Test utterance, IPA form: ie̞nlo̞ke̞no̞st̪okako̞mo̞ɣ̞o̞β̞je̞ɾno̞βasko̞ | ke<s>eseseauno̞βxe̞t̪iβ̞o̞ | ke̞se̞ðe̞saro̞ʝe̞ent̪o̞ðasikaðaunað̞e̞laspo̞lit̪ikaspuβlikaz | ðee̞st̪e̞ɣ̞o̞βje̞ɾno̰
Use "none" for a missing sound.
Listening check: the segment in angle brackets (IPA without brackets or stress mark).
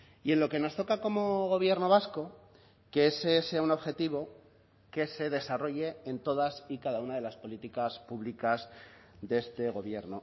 none